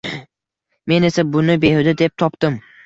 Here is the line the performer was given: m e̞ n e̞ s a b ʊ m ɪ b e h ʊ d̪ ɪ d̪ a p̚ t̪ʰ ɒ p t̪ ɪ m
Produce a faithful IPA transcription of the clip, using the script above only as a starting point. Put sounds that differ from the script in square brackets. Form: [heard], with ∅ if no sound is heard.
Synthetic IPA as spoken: m e̞ n e̞ s a b ʊ [n] ɪ b e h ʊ d̪ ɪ d̪ [e] p̚ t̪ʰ ɒ p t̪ ɪ m